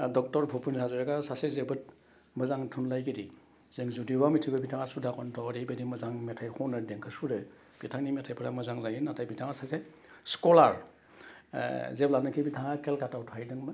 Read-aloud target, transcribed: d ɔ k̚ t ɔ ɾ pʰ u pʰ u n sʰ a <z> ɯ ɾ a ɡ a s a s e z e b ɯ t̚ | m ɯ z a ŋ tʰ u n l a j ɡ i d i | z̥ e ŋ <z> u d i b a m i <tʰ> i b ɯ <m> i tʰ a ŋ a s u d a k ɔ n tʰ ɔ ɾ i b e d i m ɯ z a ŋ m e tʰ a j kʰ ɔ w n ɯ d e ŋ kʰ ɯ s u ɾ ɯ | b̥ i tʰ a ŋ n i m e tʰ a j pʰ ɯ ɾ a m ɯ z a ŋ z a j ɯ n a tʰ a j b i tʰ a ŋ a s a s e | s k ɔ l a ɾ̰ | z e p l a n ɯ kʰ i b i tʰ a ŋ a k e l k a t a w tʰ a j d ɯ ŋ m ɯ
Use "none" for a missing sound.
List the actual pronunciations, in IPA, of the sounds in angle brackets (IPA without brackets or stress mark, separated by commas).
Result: z, z, tʰ, b